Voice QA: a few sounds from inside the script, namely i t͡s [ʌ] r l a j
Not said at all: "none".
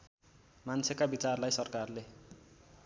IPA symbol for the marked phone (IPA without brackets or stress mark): a